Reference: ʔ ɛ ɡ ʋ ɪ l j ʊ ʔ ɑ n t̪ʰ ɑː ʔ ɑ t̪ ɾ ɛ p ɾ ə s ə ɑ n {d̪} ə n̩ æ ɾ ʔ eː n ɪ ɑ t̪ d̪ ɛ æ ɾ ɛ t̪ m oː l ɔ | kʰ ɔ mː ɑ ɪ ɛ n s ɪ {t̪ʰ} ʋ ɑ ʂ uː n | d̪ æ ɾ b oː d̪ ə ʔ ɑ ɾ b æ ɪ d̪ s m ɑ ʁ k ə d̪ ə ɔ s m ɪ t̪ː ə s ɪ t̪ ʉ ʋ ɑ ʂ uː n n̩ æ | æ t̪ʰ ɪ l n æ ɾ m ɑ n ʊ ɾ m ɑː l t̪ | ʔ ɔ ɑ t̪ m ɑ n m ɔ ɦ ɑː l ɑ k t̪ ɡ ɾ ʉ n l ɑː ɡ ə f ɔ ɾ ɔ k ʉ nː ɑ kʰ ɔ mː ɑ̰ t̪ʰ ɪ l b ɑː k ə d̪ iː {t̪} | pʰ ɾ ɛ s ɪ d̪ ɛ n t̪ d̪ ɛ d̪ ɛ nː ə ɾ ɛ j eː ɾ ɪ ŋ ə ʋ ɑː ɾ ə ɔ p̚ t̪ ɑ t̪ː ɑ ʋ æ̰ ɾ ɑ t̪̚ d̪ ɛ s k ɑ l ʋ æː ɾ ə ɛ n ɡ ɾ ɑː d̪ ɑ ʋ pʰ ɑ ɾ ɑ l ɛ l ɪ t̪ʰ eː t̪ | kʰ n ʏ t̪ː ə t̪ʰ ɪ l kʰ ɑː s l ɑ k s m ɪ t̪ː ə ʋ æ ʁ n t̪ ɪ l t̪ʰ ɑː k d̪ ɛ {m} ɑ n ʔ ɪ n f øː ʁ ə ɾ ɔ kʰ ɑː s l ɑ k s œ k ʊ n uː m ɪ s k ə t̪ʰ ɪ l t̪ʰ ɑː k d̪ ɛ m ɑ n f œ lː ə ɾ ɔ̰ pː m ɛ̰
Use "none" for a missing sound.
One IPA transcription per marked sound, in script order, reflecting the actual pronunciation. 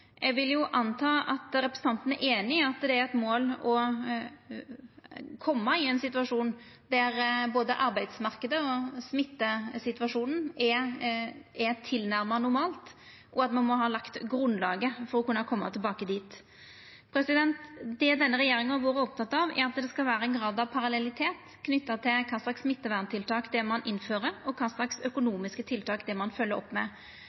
t̪, t̪, t̪, m

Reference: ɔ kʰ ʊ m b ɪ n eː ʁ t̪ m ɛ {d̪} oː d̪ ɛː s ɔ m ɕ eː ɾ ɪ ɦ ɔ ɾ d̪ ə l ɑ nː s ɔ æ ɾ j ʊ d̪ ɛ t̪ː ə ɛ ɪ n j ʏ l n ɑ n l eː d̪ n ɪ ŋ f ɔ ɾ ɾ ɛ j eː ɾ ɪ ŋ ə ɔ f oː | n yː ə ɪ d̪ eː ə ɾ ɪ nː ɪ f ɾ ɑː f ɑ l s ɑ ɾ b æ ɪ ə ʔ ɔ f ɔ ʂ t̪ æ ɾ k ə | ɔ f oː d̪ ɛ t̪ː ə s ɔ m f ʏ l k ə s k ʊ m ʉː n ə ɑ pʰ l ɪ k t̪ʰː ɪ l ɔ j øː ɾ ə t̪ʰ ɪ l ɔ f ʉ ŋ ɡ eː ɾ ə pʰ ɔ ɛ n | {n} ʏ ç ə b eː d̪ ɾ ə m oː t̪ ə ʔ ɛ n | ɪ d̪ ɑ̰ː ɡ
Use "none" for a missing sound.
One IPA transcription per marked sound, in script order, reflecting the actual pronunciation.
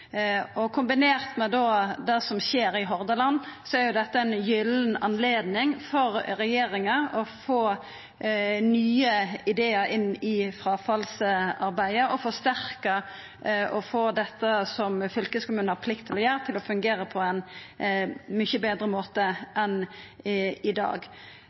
d̪, m

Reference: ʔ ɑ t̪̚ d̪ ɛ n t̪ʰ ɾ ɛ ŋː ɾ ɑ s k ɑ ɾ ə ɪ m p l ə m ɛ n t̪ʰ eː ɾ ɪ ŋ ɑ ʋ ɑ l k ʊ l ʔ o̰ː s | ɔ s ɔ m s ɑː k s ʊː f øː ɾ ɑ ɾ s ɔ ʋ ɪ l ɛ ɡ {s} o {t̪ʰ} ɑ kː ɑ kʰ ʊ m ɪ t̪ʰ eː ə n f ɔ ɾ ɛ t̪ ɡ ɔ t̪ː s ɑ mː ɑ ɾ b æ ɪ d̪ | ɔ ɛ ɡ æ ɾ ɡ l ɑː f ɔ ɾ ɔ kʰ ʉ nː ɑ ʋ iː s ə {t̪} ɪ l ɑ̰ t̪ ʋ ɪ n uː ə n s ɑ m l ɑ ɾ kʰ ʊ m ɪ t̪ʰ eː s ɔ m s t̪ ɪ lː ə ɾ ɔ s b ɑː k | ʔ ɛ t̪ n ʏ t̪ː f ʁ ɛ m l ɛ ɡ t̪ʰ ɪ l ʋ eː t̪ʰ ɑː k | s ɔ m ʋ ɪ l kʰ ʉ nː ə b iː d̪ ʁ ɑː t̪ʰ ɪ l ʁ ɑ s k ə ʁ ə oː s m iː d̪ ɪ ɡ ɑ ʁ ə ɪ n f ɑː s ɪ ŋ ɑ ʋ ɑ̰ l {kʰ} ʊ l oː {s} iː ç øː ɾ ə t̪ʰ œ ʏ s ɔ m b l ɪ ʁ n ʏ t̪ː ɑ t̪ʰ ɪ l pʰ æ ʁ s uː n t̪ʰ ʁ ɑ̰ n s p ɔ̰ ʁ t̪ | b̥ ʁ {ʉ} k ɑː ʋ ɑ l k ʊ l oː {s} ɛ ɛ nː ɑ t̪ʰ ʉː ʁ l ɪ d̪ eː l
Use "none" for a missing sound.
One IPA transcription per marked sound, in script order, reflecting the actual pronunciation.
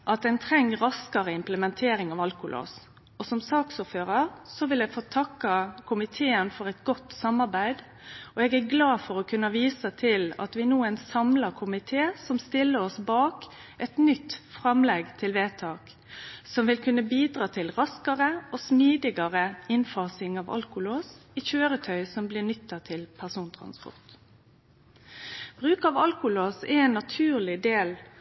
f, t̪ʰ, t̪ʰ, k, s, ʉː, s

